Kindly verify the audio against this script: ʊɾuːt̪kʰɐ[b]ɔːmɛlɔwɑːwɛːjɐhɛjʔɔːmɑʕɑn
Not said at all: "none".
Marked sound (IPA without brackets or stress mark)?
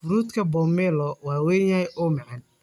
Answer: b